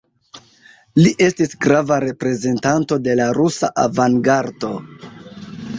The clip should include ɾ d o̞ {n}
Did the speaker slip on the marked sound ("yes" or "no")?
yes